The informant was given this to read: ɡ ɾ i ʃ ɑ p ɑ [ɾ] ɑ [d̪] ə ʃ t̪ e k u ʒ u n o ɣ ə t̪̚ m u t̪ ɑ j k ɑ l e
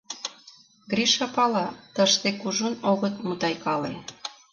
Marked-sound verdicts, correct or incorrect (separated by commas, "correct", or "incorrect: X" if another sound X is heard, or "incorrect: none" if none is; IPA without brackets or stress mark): incorrect: l, incorrect: t̪